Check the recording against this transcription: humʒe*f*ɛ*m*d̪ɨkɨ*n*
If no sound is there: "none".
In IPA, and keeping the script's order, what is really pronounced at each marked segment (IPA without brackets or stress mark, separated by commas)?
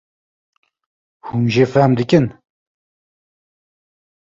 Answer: f, m, n